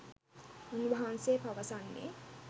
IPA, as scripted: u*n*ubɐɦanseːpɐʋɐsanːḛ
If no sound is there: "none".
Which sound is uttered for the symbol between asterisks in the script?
n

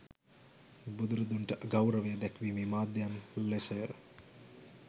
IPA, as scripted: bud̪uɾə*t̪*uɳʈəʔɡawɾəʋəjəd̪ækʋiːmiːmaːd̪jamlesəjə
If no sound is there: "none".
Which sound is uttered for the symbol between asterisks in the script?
d̪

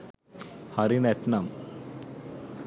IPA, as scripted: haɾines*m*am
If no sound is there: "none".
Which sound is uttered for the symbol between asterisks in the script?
n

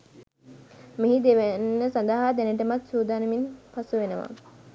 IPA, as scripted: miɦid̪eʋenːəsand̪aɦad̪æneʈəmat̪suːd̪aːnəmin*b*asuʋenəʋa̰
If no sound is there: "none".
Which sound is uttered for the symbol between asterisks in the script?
p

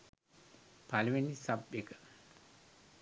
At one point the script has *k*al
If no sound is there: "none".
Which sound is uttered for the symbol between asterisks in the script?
p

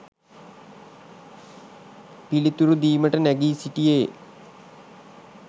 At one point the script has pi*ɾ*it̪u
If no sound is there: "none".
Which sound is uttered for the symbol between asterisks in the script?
l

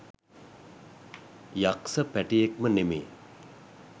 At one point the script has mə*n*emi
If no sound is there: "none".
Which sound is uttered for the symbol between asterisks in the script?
n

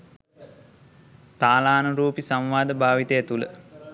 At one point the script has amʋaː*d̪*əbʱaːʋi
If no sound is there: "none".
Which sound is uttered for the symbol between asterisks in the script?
d̪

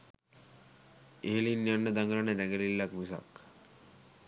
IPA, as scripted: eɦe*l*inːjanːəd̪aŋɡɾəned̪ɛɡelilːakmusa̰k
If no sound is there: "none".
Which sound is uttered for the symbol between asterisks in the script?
l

